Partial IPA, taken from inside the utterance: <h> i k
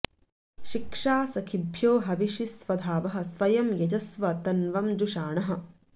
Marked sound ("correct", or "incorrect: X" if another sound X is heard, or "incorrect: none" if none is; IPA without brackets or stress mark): incorrect: ʃ